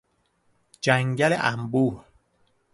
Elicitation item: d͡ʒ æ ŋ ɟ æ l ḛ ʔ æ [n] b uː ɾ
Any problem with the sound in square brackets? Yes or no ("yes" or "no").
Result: yes